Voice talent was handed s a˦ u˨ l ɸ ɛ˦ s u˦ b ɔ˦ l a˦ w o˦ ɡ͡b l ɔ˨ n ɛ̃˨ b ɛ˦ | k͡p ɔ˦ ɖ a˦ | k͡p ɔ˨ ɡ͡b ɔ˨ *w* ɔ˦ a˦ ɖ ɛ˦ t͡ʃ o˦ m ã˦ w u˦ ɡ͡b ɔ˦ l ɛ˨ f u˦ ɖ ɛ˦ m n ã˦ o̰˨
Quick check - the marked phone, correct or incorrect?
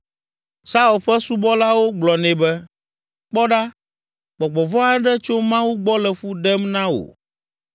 incorrect